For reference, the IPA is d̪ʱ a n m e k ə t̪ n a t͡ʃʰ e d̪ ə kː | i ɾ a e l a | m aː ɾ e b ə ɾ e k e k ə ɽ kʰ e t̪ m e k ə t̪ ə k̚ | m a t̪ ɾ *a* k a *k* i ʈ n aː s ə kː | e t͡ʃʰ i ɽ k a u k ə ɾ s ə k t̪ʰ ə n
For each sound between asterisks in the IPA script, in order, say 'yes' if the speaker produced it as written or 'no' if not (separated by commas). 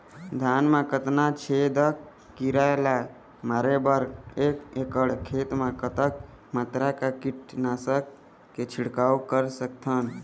yes, yes